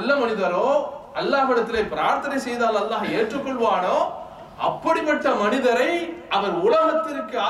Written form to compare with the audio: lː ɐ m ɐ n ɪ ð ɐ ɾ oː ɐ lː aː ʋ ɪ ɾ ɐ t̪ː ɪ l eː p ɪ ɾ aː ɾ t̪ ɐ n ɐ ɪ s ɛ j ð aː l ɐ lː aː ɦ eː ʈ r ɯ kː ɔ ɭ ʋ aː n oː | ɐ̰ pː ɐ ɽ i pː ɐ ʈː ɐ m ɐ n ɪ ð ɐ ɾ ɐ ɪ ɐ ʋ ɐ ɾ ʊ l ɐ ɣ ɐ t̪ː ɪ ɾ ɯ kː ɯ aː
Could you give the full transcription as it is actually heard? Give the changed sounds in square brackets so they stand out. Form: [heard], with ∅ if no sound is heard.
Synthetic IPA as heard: lː ɐ m ɐ n ɪ ð ɐ ɾ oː ɐ lː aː ʋ ɪ [ɽ] ɐ t̪ː ɪ l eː p ɪ ɾ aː ɾ t̪ ɐ n ɐ ɪ s ɛ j ð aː l ɐ lː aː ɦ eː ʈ r ɯ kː ɔ ɭ ʋ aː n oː | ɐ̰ pː ɐ ɽ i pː ɐ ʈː ɐ m ɐ n ɪ ð ɐ ɾ ɐ ɪ ɐ ʋ ɐ ɾ ʊ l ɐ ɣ ɐ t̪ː ɪ ɾ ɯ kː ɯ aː